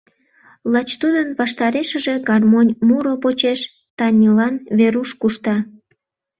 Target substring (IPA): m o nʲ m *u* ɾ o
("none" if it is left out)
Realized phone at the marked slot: u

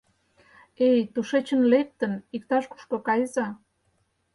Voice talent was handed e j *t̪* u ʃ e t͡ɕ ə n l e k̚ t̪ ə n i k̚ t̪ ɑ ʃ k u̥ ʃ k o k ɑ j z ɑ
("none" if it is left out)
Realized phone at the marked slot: t̪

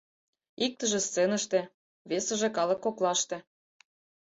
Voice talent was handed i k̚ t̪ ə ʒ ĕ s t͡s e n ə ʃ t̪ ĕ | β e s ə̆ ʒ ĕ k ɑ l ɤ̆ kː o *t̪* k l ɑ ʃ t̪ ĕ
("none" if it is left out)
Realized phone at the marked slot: none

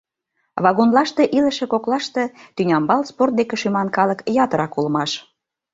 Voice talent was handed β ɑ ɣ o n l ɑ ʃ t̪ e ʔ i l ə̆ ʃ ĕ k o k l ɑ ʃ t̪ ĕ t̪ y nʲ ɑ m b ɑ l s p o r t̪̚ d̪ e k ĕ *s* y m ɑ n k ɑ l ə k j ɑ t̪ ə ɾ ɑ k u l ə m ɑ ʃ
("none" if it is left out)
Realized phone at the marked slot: ʃ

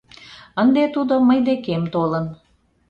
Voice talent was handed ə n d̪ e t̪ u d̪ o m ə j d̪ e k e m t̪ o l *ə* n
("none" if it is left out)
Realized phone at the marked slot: ə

